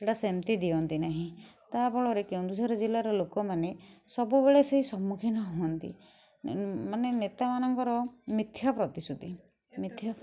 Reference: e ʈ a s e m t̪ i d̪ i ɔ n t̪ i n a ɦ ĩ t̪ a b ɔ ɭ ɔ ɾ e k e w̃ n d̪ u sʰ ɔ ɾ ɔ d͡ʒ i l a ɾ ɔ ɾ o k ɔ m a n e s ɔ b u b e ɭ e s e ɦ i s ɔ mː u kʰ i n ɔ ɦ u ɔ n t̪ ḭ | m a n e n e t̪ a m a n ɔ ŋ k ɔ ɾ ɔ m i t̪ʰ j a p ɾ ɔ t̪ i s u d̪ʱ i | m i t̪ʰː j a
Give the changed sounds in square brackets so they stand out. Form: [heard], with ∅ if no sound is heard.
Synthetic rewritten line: e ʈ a s e m t̪ i d̪ i ɔ n t̪ i n a ɦ ĩ t̪ a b ɔ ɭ ɔ ɾ e k e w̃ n d̪ u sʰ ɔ ɾ ɔ d͡ʒ i l a ɾ ɔ [l] o k ɔ m a n e s ɔ b u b e ɭ e s e ɦ i s ɔ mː u kʰ i n ɔ ɦ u ɔ n t̪ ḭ | m a n e n e t̪ a m a n ɔ ŋ k ɔ ɾ ɔ m i t̪ʰ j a p ɾ ɔ t̪ i s u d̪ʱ i | m i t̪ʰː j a

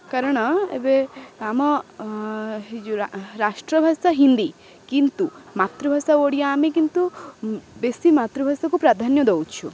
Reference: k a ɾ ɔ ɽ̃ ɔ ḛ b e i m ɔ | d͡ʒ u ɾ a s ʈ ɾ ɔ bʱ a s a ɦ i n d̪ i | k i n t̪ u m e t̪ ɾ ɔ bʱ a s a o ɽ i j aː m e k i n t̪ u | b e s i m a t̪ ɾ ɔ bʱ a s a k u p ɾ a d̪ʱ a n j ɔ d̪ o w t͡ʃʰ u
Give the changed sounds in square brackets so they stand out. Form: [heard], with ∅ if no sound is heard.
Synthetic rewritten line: k a ɾ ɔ ɽ̃ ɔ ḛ b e [a] m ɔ | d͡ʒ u ɾ a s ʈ ɾ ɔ bʱ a s a ɦ i n d̪ i | k i n t̪ u m [a] t̪ ɾ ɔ bʱ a s a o ɽ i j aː m e k i n t̪ u | b e s i m a t̪ ɾ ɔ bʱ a s a k u p ɾ a d̪ʱ a n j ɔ d̪ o w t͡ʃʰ u

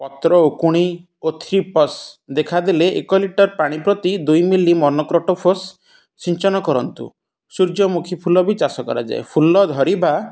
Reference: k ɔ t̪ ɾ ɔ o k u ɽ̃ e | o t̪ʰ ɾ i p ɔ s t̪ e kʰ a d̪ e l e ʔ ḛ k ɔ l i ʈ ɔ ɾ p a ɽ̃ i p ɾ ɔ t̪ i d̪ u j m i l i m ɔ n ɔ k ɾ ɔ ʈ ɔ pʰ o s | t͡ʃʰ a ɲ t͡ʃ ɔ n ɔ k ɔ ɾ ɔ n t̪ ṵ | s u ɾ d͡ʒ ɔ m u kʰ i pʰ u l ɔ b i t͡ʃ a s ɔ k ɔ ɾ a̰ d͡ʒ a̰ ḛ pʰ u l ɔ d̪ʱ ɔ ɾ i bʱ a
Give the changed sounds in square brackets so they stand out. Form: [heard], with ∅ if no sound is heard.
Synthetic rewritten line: [p] ɔ t̪ ɾ ɔ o k u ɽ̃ [i] | o t̪ʰ ɾ i p ɔ s [d̪] e kʰ a d̪ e l e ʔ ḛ k ɔ l i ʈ ɔ ɾ p a ɽ̃ i p ɾ ɔ t̪ i d̪ u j m i l i m ɔ n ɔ k ɾ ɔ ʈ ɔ pʰ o s | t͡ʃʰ [i] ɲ t͡ʃ ɔ n ɔ k ɔ ɾ ɔ n t̪ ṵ | s u ɾ d͡ʒ ɔ m u kʰ i pʰ u l ɔ b i t͡ʃ a s ɔ k ɔ ɾ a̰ d͡ʒ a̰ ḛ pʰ u l ɔ d̪ʱ ɔ ɾ i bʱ a

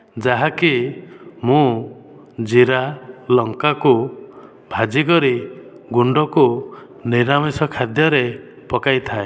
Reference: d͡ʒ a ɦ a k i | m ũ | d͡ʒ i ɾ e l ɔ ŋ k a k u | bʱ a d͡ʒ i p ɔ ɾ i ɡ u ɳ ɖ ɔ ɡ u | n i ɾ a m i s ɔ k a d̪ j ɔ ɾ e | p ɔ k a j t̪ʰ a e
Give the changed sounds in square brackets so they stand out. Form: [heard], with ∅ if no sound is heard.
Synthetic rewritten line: d͡ʒ a ɦ a k i | m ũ | d͡ʒ i ɾ [a] l ɔ ŋ k a k u | bʱ a d͡ʒ i [k] ɔ ɾ i ɡ u ɳ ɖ ɔ [k] u | n i ɾ a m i s ɔ [kʰ] a d̪ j ɔ ɾ e | p ɔ k a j t̪ʰ a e

